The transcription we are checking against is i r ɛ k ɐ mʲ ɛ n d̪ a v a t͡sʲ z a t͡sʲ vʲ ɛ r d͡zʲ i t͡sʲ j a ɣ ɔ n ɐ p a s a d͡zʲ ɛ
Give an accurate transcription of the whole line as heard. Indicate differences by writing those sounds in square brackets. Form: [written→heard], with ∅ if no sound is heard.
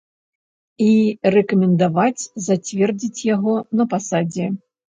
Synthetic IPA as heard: i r ɛ k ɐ mʲ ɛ n d̪ a v a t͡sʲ z a t͡sʲ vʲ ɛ r d͡zʲ i t͡sʲ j a ɣ ɔ n ɐ p a s a d͡zʲ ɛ